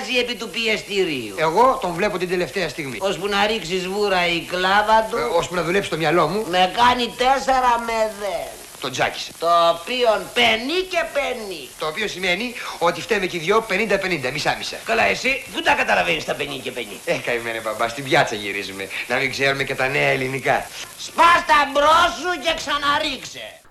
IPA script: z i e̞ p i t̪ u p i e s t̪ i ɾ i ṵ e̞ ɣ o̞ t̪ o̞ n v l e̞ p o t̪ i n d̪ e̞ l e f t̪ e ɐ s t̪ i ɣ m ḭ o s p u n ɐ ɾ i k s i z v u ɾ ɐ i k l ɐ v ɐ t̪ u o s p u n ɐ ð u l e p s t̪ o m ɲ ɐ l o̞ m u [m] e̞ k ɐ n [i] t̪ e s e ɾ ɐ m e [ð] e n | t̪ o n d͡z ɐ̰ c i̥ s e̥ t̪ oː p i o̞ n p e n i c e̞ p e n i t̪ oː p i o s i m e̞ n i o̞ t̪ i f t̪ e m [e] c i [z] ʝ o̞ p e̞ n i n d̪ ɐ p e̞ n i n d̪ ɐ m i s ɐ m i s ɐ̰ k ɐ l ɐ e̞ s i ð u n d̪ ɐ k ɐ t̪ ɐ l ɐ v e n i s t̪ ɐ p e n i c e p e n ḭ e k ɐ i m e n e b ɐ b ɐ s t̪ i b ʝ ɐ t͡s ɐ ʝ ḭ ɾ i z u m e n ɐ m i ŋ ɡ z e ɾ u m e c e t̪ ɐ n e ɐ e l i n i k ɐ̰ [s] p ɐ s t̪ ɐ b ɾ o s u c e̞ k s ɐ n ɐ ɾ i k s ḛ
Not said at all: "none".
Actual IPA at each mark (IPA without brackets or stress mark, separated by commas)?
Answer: m, i, ð, e, ð, s